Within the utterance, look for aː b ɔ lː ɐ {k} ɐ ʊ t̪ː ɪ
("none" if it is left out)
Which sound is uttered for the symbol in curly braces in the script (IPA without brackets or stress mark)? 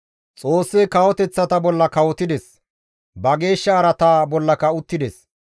k